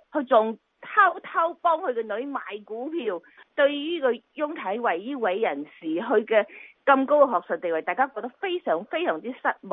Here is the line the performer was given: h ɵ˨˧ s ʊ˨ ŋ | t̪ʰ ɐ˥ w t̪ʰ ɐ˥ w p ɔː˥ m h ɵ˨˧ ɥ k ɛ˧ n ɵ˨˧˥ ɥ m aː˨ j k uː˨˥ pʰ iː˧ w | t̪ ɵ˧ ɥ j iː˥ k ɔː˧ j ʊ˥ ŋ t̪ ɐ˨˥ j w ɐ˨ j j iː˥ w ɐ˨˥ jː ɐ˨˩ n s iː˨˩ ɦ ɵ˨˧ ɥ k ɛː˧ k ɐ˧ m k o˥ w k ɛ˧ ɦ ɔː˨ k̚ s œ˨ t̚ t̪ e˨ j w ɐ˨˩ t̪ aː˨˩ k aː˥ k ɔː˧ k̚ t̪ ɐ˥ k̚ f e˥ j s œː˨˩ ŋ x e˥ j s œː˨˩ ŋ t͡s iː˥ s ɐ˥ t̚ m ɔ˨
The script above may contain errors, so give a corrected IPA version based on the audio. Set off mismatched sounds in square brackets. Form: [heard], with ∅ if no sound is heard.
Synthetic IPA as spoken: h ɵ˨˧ [t͡s] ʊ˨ ŋ | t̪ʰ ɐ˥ w t̪ʰ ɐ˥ w p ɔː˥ [ŋ] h ɵ˨˧ ɥ k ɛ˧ n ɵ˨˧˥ ɥ m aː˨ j k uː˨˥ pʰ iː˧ w | t̪ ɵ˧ ɥ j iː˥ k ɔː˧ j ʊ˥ ŋ [t̪ʰ] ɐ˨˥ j w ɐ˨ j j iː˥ w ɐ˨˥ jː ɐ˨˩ n s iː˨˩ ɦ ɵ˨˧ ɥ k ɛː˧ k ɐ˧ m k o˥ w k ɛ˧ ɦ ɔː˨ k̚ s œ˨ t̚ t̪ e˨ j w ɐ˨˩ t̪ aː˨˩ k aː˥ k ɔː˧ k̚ t̪ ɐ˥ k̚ f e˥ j s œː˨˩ ŋ [f] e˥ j s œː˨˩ ŋ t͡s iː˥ s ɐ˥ t̚ m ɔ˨